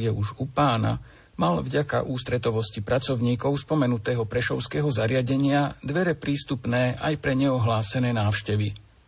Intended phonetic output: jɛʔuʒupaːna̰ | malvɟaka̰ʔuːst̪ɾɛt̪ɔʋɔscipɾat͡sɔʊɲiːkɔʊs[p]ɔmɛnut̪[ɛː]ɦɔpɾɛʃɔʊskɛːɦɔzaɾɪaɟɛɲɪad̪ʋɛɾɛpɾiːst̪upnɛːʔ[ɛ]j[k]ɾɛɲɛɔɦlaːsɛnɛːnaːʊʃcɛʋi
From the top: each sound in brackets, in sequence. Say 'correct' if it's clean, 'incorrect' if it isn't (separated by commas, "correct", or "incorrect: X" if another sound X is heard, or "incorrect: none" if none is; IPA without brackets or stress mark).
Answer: correct, correct, incorrect: a, incorrect: p